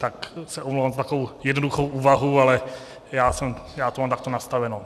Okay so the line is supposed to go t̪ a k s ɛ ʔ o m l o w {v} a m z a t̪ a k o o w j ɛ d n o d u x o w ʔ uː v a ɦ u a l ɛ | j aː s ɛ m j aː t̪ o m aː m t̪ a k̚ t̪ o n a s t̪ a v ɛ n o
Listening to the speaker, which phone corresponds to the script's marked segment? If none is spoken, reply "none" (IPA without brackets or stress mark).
v